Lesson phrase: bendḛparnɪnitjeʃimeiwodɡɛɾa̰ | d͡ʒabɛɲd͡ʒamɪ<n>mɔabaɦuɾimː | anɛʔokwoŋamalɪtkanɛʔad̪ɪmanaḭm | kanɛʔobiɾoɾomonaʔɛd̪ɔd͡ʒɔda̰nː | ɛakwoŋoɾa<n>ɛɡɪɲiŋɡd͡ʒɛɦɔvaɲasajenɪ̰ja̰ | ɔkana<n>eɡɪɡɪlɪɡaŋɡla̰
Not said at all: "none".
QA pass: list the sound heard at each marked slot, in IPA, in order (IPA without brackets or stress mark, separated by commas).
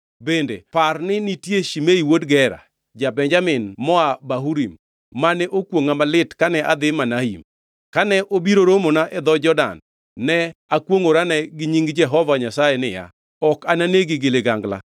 n, n, n